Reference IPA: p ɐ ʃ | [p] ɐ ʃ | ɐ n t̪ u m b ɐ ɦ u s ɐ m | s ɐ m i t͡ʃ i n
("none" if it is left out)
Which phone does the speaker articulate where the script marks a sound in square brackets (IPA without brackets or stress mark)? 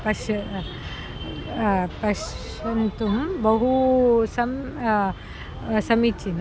p